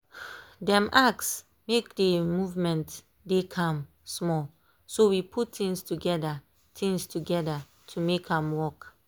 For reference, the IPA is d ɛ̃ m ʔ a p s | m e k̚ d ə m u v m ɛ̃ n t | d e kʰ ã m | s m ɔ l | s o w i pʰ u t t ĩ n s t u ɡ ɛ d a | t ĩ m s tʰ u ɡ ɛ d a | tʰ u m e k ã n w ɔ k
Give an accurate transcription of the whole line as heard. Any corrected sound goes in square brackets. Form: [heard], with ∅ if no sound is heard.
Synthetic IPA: d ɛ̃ m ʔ a [k] s | m e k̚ d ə m u v m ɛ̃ n t | d e kʰ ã m | s m ɔ l | s o w i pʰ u t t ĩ [ŋ] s t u ɡ ɛ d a | t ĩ [ŋ] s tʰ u ɡ ɛ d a | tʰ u m e k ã [m] w ɔ k